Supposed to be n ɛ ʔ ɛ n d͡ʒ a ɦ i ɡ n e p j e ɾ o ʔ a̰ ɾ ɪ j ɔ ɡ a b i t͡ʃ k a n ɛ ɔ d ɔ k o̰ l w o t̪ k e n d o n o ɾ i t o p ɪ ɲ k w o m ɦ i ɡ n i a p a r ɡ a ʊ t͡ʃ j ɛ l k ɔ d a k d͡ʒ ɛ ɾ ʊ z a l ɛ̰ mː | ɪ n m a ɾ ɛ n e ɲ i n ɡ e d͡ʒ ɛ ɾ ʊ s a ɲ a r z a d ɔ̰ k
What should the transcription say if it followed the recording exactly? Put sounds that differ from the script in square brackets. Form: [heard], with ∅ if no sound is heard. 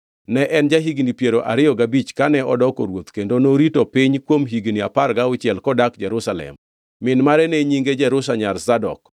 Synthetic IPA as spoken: n ɛ ʔ ɛ n d͡ʒ a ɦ i ɡ n [i] p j e ɾ o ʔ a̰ ɾ ɪ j ɔ ɡ a b i t͡ʃ k a n ɛ ɔ d ɔ k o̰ [ɾ] w o t̪ k e n d o n o ɾ i t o p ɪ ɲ k w o m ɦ i ɡ n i a p a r ɡ a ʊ t͡ʃ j ɛ l k ɔ d a k d͡ʒ ɛ ɾ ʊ [s] a l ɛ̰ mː | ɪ n m a ɾ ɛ n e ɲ i [ŋ] ɡ e d͡ʒ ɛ ɾ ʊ s a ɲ a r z a d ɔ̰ k